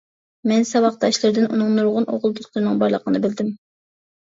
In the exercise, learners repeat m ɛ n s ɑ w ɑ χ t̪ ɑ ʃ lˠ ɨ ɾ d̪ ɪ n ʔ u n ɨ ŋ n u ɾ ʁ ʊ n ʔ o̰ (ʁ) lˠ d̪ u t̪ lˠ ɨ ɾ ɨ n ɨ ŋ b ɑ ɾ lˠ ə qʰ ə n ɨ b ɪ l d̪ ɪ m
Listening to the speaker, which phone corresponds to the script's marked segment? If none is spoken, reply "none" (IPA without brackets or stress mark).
ʁ